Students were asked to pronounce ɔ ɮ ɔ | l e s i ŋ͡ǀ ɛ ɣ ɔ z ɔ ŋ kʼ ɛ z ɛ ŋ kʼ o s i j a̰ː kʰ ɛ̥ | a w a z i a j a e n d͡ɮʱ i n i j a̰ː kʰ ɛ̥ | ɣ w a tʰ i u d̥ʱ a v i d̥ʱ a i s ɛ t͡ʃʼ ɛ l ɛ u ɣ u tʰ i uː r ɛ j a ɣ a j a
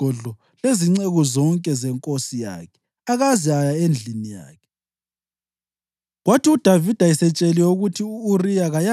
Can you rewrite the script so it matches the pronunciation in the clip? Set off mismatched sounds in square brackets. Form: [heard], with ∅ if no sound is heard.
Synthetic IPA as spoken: ɔ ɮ ɔ | l e [z] i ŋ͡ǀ ɛ ɣ ɔ z ɔ ŋ kʼ ɛ z ɛ ŋ kʼ o s i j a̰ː kʰ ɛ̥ | a [ɣ] a z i a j a e n d͡ɮʱ i n i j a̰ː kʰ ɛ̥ | ɣ w a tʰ i u d̥ʱ a v i d̥ʱ a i s ɛ t͡ʃʼ ɛ l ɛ u ɣ u tʰ i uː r [i] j a ɣ a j a

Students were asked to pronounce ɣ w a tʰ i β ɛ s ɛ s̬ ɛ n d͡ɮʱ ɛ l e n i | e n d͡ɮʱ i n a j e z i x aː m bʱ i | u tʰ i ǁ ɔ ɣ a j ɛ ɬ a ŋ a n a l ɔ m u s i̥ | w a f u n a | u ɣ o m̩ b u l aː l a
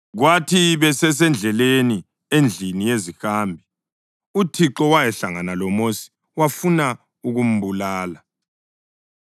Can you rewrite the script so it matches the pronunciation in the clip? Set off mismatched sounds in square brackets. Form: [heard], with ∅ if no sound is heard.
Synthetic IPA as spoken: ɣ w a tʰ i β ɛ s ɛ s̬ ɛ n d͡ɮʱ ɛ l e n i | e n d͡ɮʱ i n [i] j e z i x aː m bʱ i | u tʰ i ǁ ɔ [w] a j ɛ ɬ a ŋ a n a l ɔ m [o] s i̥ | w a f u n a | u ɣ [u] m̩ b u l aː l a

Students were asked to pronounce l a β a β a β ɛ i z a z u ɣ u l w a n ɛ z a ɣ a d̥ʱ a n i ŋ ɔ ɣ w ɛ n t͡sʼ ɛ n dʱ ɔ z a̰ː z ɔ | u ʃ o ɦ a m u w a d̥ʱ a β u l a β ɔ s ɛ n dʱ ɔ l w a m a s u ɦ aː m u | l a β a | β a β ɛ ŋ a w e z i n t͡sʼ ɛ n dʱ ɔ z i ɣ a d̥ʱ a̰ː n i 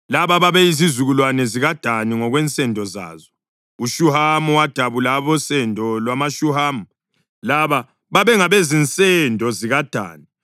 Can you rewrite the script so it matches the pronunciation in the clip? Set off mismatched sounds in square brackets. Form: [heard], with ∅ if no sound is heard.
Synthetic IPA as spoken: l a β a β a β ɛ i z [i] z u ɣ u l w a n ɛ z [i] ɣ a d̥ʱ a n i ŋ ɔ ɣ w ɛ n t͡sʼ ɛ n dʱ ɔ z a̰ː z ɔ | u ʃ [u] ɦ a m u w a d̥ʱ a β u l a β ɔ s ɛ n dʱ ɔ l w a m a [ʃ] u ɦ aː m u | l a β a | β a β ɛ ŋ a [β] e z i n t͡sʼ ɛ n dʱ ɔ z i ɣ a d̥ʱ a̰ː n i

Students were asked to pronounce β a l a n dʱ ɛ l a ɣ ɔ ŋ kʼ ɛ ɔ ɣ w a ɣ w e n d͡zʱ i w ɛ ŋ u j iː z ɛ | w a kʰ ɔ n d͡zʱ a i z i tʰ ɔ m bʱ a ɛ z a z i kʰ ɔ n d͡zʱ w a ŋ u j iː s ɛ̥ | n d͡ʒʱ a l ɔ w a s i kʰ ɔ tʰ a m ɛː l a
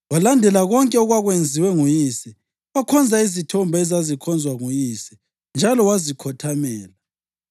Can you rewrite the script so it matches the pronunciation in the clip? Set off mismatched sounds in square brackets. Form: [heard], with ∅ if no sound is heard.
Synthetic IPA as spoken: [w] a l a n dʱ ɛ l a ɣ ɔ ŋ kʼ ɛ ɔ ɣ w a ɣ w e n d͡zʱ i w ɛ ŋ u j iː [s] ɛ | w a kʰ ɔ n d͡zʱ a i z i tʰ ɔ m bʱ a ɛ z a z i kʰ ɔ n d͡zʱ w a ŋ u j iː s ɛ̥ | n d͡ʒʱ a l ɔ w a [z] i kʰ ɔ tʰ a m ɛː l a

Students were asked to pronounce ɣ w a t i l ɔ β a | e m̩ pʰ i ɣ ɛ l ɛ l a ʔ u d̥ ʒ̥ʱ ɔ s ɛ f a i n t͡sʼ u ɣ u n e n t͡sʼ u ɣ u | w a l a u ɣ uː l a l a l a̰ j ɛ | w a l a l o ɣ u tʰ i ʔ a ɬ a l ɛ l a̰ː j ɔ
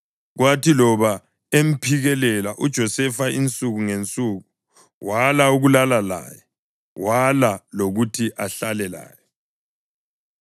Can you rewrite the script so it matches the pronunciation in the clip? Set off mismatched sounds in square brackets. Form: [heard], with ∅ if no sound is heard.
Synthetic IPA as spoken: ɣ w a t i l ɔ β a | e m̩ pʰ i ɣ ɛ l ɛ l a ʔ u d̥ ʒ̥ʱ ɔ s ɛ f a i n t͡sʼ u ɣ u [ŋ] e n t͡sʼ u ɣ u | w a l a u ɣ [u] l a l a l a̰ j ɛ | w a l a l o ɣ u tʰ i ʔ a ɬ a l ɛ l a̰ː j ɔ

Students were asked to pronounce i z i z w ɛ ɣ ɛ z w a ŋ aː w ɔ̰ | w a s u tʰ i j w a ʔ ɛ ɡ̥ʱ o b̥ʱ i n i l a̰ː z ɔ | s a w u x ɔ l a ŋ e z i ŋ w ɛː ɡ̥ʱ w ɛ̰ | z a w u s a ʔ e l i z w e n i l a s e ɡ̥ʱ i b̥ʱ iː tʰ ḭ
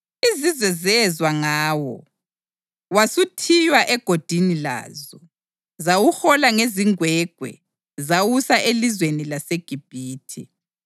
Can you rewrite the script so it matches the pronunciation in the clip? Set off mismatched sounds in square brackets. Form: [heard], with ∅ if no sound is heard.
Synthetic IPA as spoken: i z i z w ɛ [z] ɛ z w a ŋ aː w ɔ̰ | w a s u tʰ i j w a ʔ ɛ ɡ̥ʱ o [d̥ʱ] i n i l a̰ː z ɔ | [z] a w u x ɔ l a ŋ e z i ŋ w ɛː ɡ̥ʱ w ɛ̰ | z a w u s a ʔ e l i z w e n i l a s e ɡ̥ʱ i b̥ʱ iː tʰ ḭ

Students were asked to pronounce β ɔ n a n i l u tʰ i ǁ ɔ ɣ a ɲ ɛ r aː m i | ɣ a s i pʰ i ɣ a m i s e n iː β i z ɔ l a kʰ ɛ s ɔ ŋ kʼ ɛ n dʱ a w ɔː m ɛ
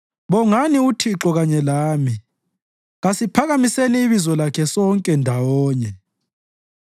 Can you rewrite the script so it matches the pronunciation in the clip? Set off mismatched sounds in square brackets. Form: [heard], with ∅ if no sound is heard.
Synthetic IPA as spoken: β ɔ [ŋ] a n i [∅] u tʰ i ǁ ɔ ɣ a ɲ ɛ [l] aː m i | ɣ a s i pʰ [a] ɣ a m i s e n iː β i z ɔ l a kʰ ɛ s ɔ ŋ kʼ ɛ n dʱ a w ɔː [ɲ] ɛ

